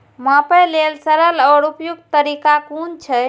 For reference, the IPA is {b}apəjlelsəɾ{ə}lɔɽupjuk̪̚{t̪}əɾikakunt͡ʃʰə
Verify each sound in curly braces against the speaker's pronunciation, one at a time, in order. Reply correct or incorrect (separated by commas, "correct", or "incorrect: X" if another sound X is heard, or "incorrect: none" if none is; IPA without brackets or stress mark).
incorrect: m, correct, correct